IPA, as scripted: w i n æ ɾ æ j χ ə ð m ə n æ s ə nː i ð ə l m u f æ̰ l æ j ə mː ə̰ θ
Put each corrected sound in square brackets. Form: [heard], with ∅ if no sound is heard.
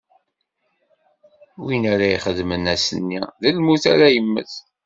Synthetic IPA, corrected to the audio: w i n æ ɾ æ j χ ə ð m ə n æ s ə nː i ð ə l m u [θ] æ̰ [ɾ] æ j ə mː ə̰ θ